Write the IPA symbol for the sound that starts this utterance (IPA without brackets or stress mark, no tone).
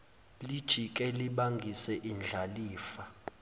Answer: l